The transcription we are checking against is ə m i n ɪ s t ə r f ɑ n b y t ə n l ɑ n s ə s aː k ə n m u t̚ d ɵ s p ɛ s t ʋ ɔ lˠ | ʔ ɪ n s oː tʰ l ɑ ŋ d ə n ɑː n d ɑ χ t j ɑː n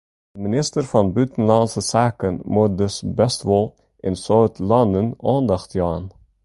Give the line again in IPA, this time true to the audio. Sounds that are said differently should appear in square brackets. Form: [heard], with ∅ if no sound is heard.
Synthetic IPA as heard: ə m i n ɪ s t ə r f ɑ n b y t ə n l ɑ n s ə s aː k ə n m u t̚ d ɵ s [b] ɛ s t ʋ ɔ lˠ | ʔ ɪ n s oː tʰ l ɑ [n] d ə n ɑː n d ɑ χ t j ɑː n